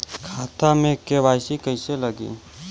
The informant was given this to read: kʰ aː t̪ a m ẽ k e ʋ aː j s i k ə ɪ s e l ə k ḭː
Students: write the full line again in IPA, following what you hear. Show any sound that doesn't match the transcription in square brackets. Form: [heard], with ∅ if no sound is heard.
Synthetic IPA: kʰ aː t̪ a m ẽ k e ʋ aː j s i k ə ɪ s e l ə [ɡ] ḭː